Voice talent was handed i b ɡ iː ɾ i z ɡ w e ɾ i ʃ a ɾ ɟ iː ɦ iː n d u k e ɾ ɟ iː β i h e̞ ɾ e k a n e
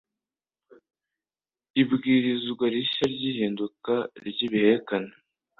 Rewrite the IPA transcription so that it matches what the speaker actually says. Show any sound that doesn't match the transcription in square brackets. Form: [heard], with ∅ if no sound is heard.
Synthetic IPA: i b ɡ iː ɾ i z ɡ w [a] ɾ i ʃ a ɾ ɟ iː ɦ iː n d u k [a] ɾ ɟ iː β i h e̞ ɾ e k a n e